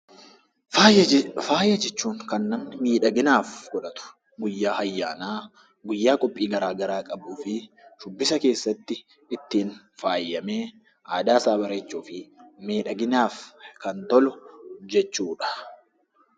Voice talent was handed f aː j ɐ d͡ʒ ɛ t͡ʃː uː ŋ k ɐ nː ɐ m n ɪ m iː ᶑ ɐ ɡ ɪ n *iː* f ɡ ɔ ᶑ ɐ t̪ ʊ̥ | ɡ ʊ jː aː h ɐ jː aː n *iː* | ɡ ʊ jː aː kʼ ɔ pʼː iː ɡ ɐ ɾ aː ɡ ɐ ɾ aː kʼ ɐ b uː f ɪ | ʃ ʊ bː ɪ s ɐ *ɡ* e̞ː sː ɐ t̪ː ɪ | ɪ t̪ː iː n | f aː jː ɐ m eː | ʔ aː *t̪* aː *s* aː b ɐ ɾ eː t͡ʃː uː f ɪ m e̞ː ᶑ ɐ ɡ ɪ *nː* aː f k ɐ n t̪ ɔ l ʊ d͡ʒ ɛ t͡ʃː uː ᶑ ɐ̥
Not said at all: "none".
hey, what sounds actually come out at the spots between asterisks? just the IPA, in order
aː, aː, k, d̪, s, n

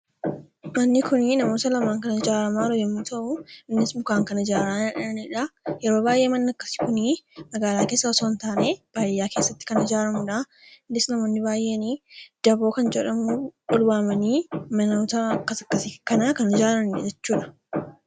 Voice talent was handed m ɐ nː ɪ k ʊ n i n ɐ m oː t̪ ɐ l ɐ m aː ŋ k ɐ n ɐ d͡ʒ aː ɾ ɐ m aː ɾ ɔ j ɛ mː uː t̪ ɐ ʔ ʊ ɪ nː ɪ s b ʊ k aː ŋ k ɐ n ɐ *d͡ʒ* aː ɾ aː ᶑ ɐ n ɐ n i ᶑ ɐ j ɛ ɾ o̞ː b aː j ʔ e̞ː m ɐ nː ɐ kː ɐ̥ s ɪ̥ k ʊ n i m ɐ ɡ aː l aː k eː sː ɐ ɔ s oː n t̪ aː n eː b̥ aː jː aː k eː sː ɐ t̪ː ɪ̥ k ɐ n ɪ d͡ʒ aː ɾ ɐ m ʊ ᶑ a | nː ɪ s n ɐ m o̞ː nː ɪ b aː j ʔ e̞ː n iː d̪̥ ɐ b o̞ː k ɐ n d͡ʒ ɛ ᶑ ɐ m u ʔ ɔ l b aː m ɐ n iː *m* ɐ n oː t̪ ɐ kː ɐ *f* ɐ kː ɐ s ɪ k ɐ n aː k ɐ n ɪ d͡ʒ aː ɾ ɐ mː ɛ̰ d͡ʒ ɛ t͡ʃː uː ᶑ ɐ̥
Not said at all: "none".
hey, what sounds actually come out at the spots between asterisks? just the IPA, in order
d͡ʒ, m, s

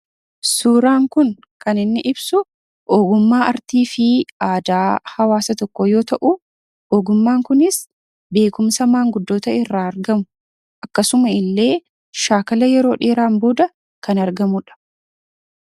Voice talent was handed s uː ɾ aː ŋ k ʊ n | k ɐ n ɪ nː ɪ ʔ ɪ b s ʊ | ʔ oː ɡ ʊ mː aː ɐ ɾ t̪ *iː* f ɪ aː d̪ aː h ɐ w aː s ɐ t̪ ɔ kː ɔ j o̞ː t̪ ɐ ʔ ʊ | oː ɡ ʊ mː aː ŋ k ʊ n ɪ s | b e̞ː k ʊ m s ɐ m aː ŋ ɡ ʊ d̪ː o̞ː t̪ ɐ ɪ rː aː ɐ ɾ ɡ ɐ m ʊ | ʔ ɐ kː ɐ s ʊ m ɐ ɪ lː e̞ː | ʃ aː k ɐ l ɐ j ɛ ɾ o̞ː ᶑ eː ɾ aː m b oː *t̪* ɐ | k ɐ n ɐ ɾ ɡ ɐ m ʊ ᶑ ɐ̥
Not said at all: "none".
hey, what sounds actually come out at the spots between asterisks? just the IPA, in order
iː, d̪

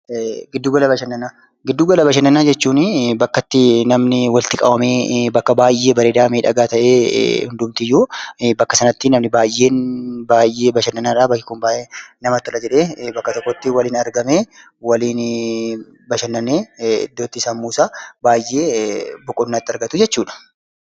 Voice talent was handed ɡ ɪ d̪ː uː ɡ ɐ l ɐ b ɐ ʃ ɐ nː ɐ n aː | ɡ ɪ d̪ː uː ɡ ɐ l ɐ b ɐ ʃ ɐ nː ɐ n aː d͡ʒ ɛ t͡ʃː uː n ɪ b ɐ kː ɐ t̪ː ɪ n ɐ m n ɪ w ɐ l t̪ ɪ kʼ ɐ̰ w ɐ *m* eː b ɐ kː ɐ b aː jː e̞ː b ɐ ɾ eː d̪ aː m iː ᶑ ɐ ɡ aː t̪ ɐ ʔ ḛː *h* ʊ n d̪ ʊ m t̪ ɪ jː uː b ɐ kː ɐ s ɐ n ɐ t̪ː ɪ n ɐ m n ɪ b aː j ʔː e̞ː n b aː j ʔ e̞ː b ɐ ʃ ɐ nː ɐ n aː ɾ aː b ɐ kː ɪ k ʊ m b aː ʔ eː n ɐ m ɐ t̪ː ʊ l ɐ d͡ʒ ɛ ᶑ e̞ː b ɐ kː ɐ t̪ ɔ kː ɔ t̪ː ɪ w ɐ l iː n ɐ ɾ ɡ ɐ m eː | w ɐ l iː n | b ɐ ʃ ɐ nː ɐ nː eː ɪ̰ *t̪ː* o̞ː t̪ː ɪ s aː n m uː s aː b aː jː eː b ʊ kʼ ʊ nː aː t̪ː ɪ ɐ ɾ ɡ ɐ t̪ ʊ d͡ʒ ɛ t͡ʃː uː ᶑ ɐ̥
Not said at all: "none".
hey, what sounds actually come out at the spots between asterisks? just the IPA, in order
m, h, d̪ː

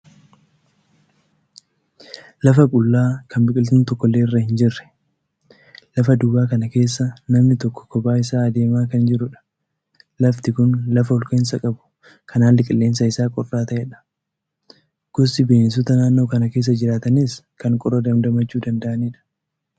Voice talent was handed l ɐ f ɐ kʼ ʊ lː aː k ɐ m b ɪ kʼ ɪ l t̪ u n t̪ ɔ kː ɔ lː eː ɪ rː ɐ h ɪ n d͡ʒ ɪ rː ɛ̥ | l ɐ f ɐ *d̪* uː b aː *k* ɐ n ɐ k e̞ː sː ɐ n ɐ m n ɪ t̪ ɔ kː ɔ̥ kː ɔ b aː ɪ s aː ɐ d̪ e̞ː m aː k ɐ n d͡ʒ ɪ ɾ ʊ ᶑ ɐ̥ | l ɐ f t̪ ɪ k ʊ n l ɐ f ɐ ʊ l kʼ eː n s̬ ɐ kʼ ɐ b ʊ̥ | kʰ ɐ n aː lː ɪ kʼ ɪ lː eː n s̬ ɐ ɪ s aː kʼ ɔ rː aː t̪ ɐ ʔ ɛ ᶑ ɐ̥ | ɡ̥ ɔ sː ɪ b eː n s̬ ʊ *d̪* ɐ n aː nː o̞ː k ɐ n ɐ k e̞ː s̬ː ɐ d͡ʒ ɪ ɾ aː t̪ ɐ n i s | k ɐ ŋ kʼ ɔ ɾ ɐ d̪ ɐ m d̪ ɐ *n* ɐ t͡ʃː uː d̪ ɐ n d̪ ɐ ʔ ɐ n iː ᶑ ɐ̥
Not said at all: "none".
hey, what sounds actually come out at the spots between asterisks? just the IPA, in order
d̪, k, t̪, m

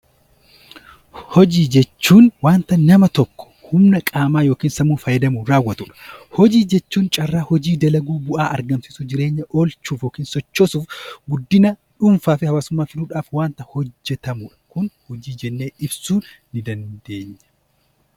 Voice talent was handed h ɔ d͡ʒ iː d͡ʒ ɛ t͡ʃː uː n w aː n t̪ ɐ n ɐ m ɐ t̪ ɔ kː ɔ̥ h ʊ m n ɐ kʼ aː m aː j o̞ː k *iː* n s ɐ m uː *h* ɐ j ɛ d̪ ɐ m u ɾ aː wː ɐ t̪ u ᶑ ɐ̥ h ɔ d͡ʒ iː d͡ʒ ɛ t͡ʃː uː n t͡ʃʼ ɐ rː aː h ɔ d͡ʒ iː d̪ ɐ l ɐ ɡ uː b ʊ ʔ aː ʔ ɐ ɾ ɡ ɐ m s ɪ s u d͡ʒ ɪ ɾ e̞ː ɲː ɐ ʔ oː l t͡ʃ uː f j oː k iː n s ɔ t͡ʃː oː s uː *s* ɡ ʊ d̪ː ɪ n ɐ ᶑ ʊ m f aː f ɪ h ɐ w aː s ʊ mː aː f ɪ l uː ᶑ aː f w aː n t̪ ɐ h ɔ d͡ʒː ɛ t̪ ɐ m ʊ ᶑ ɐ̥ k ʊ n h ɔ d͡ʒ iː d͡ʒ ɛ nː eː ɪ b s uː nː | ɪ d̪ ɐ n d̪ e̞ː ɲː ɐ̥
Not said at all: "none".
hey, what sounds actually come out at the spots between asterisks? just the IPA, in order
iː, f, f

